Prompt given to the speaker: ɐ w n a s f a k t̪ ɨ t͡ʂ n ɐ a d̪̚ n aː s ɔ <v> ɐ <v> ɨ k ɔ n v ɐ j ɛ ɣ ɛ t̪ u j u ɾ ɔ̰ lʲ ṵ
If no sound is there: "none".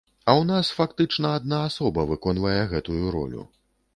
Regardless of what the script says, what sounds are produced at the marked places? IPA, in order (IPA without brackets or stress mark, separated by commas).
b, v